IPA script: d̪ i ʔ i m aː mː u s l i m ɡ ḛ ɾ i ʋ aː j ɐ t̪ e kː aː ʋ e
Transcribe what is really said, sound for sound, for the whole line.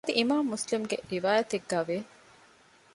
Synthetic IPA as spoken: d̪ i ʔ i m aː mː u s l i m ɡ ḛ ɾ i ʋ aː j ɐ t̪ e ɡː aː ʋ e